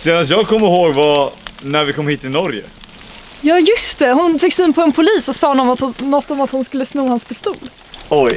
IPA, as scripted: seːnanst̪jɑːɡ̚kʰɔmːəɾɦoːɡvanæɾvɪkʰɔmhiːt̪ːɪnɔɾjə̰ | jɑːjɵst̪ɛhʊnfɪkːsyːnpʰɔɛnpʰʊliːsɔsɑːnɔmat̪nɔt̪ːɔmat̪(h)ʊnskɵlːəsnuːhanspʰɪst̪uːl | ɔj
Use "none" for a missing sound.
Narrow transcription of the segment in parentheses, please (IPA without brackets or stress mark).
h